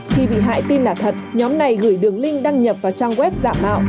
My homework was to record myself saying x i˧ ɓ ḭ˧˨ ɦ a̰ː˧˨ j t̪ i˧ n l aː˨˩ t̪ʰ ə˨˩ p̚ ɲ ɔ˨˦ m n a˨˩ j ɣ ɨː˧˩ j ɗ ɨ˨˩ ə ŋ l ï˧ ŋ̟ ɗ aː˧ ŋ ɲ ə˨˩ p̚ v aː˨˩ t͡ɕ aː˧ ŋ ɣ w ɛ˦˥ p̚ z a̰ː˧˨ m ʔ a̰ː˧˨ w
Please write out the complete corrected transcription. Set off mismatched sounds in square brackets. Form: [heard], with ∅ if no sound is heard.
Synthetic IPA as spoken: x i˧ ɓ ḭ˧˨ ɦ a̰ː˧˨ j t̪ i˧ n l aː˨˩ t̪ʰ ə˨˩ [t̚] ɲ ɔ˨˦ m n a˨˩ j ɣ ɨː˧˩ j ɗ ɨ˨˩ ə ŋ l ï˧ ŋ̟ ɗ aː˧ ŋ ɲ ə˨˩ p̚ v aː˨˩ t͡ɕ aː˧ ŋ ɣ w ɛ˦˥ p̚ z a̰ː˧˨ m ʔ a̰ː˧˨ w